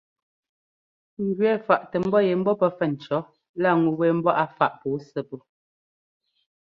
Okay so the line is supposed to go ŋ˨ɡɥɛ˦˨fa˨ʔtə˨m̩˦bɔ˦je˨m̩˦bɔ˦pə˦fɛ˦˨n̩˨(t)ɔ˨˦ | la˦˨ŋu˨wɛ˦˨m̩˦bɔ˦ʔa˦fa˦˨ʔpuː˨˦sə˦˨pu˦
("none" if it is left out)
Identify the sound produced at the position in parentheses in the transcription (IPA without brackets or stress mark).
t͡ʃ